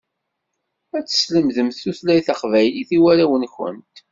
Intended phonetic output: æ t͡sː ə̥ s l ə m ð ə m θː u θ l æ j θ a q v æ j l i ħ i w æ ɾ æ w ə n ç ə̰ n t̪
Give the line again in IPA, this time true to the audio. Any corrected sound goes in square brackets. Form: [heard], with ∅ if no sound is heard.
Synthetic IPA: æ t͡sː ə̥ s l ə m ð ə m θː u θ l æ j θ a q v æ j l i [θ] i w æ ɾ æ w ə n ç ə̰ n t̪